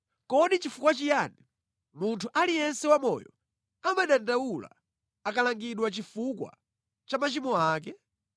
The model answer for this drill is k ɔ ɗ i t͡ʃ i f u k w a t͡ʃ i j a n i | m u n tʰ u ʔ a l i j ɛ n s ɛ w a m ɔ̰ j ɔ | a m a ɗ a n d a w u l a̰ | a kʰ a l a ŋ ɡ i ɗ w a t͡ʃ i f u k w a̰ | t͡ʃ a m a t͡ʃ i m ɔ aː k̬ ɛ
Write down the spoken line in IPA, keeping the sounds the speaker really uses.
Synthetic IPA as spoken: k ɔ ɗ i t͡ʃ i f u k w a t͡ʃ i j a n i | m u n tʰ u ʔ a l i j ɛ n s ɛ w a m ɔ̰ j ɔ | a m a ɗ a n d a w u l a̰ | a k a l a ŋ ɡ i ɗ w a t͡ʃ i f u k w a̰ | t͡ʃ a m a t͡ʃ i m ɔ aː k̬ ɛ